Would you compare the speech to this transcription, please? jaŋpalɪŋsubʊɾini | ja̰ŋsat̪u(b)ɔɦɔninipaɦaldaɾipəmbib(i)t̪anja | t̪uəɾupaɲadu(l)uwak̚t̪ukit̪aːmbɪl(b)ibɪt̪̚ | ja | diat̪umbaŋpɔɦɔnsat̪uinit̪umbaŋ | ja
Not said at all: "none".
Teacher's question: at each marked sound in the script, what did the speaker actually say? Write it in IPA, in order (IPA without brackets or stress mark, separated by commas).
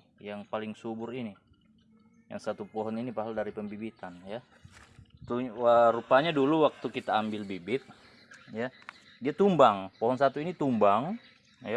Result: p, i, l, b